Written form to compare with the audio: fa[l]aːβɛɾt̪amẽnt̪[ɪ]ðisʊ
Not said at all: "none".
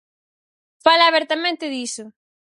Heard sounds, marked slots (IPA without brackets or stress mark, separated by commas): l, ɪ